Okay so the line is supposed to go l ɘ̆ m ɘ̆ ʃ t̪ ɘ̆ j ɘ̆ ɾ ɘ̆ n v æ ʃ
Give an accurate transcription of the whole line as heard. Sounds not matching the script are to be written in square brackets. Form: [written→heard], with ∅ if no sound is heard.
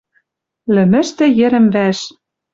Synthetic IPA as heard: l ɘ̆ m ɘ̆ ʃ t̪ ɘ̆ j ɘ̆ ɾ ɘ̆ [n→m] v æ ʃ